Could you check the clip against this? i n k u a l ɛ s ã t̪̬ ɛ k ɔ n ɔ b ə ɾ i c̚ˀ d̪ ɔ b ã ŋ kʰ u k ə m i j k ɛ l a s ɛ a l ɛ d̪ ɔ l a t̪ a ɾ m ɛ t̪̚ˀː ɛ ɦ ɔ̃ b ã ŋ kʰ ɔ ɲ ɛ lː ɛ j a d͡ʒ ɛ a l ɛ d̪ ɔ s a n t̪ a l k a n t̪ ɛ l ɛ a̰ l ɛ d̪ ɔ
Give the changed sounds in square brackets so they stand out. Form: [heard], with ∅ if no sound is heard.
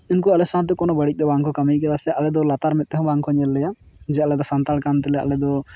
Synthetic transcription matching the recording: i n k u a l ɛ s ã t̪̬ ɛ k ɔ n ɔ b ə [ɽ] i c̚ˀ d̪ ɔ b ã ŋ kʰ [ɔ] k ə m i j k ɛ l a s ɛ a l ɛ d̪ ɔ l a t̪ a ɾ m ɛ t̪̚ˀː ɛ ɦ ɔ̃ b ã ŋ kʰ ɔ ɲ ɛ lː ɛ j a d͡ʒ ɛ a l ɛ d̪ ɔ s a n t̪ a l k a n t̪ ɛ l ɛ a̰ l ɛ d̪ ɔ